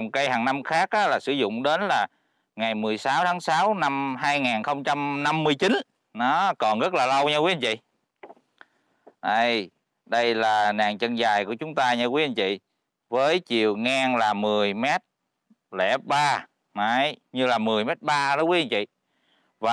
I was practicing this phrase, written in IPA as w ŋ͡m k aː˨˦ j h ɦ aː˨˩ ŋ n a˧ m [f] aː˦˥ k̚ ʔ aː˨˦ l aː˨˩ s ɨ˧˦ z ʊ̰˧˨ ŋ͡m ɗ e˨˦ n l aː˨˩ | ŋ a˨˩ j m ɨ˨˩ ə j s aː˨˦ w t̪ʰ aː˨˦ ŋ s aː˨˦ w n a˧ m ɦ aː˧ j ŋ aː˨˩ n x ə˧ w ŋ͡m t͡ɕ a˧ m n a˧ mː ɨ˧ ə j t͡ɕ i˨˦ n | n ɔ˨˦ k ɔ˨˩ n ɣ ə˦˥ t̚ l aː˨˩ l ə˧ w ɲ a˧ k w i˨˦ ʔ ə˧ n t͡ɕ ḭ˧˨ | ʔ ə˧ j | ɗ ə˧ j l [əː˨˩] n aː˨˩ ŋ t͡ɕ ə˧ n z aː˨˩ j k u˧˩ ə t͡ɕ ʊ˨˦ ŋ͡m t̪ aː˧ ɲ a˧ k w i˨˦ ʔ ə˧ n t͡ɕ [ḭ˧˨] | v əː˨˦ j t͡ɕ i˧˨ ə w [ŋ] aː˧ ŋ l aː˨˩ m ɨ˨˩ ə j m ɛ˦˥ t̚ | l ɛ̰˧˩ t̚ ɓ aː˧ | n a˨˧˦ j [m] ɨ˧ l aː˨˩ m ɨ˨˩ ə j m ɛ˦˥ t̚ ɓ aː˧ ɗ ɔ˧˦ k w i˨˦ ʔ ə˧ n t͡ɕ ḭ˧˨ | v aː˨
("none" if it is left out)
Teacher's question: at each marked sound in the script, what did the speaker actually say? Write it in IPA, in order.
x, aː˨˩, ḭ˧˨, ŋ, ɲ

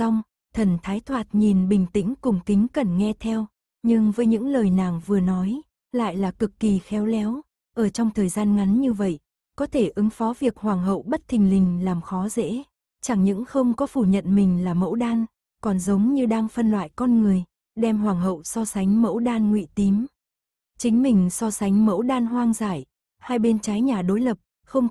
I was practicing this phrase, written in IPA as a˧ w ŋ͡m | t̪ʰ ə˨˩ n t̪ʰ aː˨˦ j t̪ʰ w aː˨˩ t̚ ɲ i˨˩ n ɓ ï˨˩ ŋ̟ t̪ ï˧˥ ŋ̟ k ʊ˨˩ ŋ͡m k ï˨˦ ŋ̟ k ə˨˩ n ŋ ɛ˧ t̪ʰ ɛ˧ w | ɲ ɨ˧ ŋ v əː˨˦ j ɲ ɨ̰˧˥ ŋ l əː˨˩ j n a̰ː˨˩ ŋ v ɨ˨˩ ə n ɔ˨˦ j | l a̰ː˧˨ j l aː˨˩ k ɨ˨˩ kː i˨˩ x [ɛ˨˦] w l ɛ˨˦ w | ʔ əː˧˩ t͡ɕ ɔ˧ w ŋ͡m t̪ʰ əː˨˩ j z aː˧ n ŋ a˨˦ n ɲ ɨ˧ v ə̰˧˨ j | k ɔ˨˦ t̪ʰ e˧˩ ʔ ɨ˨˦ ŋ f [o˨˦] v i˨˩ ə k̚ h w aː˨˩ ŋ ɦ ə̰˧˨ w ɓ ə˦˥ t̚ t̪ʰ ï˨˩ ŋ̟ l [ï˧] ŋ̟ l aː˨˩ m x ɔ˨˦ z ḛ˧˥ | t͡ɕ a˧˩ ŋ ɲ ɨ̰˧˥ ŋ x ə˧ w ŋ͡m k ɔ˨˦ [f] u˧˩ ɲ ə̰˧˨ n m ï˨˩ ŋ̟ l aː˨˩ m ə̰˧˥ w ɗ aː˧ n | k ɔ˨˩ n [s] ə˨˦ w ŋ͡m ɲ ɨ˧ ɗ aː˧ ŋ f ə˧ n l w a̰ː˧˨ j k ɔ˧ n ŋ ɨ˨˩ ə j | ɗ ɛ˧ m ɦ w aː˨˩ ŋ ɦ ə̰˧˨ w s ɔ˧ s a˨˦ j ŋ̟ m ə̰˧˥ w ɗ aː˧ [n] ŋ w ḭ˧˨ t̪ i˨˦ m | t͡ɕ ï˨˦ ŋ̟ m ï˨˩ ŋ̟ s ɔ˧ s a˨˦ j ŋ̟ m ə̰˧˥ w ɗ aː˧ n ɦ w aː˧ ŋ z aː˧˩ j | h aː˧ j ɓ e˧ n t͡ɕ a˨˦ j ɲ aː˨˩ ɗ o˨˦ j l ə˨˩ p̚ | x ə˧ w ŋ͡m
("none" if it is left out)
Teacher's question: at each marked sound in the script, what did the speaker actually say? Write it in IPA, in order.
ɛ˨˦, ɔ˨˦, ï˨˩, f, z, n

